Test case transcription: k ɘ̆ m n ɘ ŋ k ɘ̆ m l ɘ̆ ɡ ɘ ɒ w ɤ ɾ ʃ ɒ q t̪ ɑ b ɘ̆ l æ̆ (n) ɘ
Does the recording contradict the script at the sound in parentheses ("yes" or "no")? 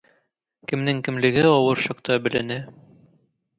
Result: no